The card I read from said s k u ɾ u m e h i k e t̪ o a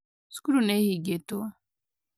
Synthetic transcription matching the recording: s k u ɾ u n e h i ɡ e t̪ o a